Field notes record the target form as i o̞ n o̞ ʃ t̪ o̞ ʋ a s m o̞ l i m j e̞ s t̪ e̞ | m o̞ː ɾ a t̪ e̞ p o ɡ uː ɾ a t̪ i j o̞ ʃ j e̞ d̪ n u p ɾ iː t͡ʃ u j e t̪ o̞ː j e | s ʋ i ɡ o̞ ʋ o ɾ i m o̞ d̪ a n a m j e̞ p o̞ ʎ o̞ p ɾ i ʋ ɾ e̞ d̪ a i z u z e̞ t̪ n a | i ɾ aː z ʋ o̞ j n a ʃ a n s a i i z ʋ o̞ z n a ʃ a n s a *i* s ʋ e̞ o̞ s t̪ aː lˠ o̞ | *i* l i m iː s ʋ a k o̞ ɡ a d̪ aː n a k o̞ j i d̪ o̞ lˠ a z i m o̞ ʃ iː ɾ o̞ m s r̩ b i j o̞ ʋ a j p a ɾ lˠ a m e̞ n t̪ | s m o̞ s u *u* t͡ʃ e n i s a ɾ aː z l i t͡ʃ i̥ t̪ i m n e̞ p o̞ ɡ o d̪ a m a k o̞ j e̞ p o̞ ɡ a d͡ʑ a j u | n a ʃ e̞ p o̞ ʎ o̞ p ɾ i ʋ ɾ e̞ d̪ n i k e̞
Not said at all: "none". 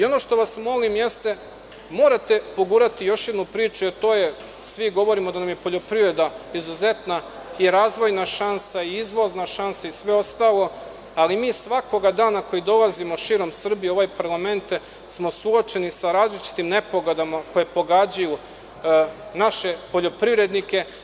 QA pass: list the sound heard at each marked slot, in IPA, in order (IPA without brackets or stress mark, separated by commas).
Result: i, a, o